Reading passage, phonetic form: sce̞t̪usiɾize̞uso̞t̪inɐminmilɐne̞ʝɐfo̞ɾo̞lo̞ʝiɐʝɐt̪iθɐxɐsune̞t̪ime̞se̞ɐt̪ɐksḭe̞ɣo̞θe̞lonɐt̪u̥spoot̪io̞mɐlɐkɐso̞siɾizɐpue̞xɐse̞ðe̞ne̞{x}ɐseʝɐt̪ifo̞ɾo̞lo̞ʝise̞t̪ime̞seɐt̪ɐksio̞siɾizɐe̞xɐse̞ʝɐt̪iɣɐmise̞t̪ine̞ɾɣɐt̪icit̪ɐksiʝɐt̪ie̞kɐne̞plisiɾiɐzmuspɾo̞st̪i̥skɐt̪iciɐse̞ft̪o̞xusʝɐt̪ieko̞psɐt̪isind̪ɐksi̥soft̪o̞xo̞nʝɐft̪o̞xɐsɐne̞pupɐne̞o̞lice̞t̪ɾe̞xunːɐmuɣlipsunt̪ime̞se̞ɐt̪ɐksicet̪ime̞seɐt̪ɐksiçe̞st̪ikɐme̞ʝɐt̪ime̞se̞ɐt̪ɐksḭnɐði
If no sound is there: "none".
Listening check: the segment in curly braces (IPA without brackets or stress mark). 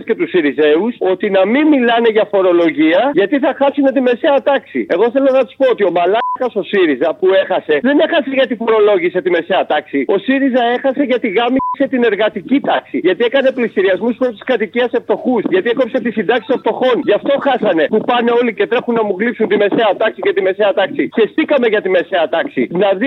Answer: x